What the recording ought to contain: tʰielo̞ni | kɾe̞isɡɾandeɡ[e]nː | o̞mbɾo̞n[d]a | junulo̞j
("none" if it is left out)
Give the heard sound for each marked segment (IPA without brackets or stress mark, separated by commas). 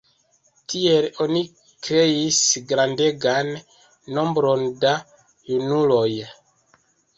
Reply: a, d